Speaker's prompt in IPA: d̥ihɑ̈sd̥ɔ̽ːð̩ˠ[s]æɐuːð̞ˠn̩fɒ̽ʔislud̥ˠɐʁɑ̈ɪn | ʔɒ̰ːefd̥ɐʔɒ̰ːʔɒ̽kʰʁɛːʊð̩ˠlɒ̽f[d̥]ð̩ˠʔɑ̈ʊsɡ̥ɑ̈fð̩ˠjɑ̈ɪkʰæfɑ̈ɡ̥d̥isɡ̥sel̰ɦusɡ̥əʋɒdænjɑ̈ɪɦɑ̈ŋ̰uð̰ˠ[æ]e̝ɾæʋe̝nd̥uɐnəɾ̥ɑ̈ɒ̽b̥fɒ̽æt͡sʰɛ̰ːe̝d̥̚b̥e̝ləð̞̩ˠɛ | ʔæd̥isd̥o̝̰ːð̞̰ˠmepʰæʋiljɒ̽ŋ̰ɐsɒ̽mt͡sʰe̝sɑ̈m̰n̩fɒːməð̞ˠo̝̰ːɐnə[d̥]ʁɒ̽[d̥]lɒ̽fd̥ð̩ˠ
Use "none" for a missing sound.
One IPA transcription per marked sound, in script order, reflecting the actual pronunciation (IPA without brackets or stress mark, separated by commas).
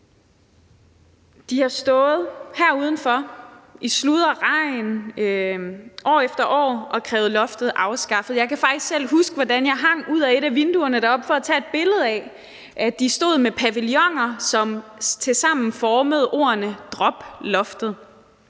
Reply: h, d̥, æ, d̥, b̥